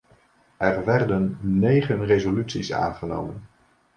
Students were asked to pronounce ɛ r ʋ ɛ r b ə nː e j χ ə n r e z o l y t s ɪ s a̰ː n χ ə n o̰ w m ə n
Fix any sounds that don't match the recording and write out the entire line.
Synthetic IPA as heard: ɛ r ʋ ɛ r d ə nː e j χ ə n r e z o l y t s i s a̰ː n χ ə n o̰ w m ə n